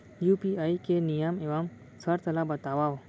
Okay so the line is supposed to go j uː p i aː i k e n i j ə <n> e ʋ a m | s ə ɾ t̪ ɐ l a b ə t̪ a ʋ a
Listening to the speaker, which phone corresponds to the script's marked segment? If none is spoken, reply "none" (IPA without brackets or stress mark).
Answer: m